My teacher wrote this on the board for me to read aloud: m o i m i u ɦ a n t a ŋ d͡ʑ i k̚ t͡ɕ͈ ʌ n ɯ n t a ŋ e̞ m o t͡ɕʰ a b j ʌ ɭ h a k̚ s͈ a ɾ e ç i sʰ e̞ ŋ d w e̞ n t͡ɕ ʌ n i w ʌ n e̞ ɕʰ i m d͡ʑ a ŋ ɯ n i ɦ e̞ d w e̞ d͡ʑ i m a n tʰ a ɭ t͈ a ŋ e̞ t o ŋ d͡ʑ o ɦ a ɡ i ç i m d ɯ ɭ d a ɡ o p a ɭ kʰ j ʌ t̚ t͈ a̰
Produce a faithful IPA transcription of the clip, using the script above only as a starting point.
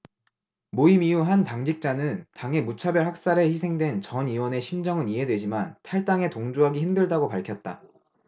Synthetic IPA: m o i m i u ɦ a n t a ŋ d͡ʑ i k̚ t͡ɕ͈ a n ɯ n t a ŋ e̞ m u t͡ɕʰ a b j ʌ ɭ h a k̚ s͈ a ɾ e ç i sʰ e̞ ŋ d w e̞ n t͡ɕ ʌ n i w ʌ n e̞ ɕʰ i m d͡ʑ ʌ ŋ ɯ n i ɦ e̞ d w e̞ d͡ʑ i m a n tʰ a ɭ t͈ a ŋ e̞ t o ŋ d͡ʑ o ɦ a ɡ i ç i m d ɯ ɭ d a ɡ o p a ɭ kʰ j ʌ t̚ t͈ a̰

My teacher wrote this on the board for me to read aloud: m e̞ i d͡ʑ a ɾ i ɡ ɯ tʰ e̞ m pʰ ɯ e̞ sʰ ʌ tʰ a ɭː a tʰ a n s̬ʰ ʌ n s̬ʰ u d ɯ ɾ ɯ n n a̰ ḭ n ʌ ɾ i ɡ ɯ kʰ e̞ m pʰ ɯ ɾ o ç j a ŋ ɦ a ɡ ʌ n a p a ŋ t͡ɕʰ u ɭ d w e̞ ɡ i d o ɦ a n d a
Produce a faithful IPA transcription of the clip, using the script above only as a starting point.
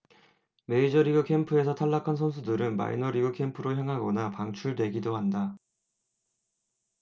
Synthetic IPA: m e̞ i d͡ʑ ʌ ɾ i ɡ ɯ kʰ e̞ m pʰ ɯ e̞ sʰ ʌ tʰ a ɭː a kʰ a n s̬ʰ ʌ n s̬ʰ u d ɯ ɾ ɯ n m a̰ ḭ n ʌ ɾ i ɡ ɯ kʰ e̞ m pʰ ɯ ɾ o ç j a ŋ ɦ a ɡ ʌ n a p a ŋ t͡ɕʰ u ɭ d w e̞ ɡ i d o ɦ a n d a

